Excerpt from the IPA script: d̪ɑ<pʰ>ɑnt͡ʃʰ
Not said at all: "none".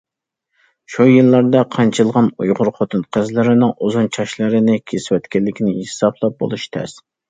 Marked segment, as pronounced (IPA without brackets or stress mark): qʰ